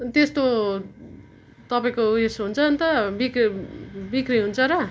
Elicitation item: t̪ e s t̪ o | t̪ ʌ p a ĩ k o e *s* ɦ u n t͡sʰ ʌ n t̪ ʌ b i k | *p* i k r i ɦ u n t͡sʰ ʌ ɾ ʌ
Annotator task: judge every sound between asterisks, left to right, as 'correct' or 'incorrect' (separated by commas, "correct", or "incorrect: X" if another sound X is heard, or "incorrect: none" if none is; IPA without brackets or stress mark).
correct, incorrect: b